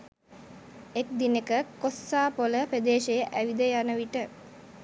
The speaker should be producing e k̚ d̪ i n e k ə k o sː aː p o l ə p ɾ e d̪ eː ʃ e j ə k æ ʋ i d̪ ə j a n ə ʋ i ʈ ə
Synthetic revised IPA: e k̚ d̪ i n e k ə k o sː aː p o l ə p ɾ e d̪ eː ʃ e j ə ʔ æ ʋ i d̪ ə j a n ə ʋ i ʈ ə